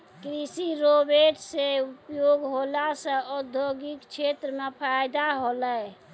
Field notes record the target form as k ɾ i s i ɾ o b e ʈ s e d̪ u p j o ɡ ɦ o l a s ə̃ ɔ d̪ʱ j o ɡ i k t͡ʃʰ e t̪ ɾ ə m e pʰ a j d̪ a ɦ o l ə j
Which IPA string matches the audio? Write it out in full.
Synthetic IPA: k ɾ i s i ɾ o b e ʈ s e u p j o ɡ ɦ o l a s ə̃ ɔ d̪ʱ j o ɡ i k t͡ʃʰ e t̪ ɾ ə m e pʰ a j d̪ a ɦ o l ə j